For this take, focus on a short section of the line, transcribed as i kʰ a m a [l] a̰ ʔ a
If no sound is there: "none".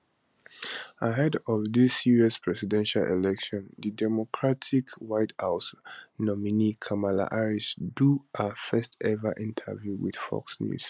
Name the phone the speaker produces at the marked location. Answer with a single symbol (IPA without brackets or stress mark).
l